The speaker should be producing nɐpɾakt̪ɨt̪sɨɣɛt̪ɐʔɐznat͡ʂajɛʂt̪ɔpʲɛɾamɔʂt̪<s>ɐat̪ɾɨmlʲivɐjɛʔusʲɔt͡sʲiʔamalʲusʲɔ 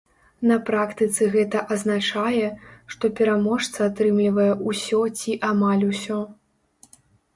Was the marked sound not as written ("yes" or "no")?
no